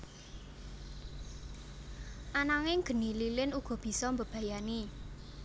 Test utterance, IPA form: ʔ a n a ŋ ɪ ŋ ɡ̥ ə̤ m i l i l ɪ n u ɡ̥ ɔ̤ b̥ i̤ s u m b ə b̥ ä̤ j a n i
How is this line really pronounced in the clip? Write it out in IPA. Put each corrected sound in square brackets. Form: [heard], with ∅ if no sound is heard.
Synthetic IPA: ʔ a n a ŋ ɪ ŋ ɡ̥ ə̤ [n] i l i l ɪ n u ɡ̥ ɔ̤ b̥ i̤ s [ɔ] m b ə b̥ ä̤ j a n i